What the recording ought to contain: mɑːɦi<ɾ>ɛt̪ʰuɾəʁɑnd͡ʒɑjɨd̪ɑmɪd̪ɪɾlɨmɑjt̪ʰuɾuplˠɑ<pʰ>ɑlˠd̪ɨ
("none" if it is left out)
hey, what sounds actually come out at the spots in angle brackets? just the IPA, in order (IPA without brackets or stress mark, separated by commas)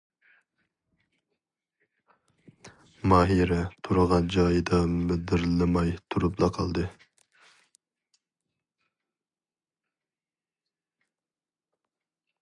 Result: ɾ, qʰ